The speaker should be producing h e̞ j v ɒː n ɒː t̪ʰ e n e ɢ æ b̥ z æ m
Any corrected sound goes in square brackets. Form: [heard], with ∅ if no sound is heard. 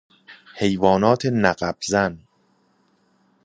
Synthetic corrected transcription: h e̞ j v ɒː n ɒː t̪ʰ e n [æ] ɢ æ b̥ z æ [n]